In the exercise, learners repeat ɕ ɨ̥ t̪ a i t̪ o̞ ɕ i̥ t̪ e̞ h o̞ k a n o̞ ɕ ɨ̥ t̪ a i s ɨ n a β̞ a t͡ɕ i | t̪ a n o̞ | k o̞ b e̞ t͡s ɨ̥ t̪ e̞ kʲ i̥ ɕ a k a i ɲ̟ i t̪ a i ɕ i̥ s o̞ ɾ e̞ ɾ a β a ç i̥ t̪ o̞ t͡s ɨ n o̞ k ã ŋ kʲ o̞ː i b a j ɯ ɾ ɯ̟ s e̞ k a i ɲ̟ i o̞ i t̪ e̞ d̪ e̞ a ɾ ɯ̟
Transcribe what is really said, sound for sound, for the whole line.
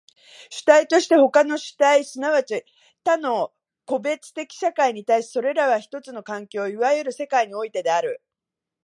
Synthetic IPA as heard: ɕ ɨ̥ t̪ a i t̪ o̞ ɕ i̥ t̪ e̞ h o̞ k a n o̞ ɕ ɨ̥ t̪ a i s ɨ n a β̞ a t͡ɕ i | t̪ a n o̞ | k o̞ b e̞ t͡s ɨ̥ t̪ e̞ kʲ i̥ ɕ a k a i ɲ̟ i t̪ a i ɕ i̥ s o̞ ɾ e̞ ɾ a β a ç i̥ t̪ o̞ t͡s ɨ n o̞ k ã ŋ kʲ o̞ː i β a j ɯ ɾ ɯ̟ s e̞ k a i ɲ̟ i o̞ i t̪ e̞ d̪ e̞ a ɾ ɯ̟